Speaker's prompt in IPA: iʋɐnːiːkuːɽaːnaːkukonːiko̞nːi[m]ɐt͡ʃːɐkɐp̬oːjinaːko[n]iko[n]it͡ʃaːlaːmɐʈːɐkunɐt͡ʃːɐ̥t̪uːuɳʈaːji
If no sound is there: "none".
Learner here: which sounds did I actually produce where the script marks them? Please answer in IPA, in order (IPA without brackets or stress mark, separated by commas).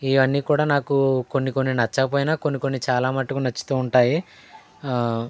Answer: n, nː, nː